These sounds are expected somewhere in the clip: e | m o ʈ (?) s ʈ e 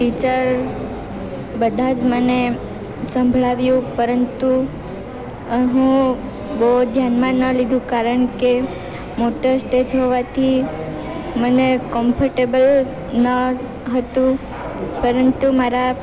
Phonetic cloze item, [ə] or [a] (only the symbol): ə